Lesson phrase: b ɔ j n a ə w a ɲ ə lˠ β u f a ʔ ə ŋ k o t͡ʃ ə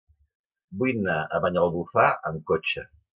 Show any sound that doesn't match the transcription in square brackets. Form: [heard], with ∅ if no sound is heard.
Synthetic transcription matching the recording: b [u] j n a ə [β] a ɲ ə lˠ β u f a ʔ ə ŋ k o t͡ʃ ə